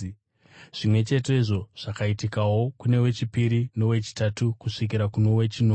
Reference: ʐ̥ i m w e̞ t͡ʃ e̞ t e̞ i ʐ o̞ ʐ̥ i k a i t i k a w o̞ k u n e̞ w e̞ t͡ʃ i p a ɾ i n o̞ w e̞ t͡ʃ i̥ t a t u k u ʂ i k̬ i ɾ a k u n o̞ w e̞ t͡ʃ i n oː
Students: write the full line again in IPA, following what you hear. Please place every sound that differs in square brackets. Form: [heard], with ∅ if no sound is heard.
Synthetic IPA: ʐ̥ i m w e̞ t͡ʃ e̞ t e̞ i ʐ o̞ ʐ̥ [a] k a i t i k a w o̞ k u n e̞ w e̞ t͡ʃ i p [i] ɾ i n o̞ w e̞ t͡ʃ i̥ t a t u k u ʂ i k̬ i ɾ a k u n o̞ w e̞ t͡ʃ i n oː